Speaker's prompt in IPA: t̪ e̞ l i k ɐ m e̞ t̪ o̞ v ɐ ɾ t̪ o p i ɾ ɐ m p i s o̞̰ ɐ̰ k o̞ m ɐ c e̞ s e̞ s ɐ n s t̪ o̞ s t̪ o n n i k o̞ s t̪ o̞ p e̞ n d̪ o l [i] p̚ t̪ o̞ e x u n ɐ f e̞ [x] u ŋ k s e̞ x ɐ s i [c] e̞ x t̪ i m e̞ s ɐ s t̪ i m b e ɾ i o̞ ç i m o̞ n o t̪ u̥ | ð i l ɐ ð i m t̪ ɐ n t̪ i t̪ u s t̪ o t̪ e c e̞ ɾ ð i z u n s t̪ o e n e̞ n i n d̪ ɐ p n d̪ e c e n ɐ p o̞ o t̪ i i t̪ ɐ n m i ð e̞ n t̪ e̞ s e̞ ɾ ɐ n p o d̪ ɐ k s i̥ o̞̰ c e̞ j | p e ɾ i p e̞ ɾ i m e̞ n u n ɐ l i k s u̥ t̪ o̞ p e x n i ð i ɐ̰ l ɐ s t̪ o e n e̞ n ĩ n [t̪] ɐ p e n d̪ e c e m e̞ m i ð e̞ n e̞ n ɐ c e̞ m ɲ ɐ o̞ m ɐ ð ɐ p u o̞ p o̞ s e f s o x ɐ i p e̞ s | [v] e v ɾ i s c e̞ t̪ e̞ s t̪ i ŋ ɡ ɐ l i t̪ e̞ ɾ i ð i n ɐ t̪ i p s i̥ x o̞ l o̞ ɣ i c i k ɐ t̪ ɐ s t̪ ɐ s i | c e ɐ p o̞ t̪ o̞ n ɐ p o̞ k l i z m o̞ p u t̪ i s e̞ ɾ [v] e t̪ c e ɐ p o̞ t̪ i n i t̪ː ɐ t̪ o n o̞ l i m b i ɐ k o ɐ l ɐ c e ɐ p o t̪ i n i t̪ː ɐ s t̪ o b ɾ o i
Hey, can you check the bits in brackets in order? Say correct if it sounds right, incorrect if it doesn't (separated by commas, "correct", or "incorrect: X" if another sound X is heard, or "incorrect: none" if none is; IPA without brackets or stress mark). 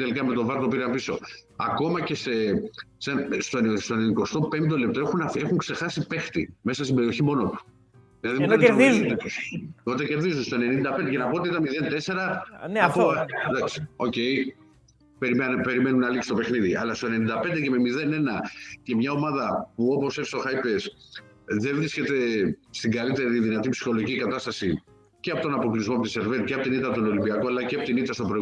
incorrect: e, correct, incorrect: p, incorrect: d̪, incorrect: ð, correct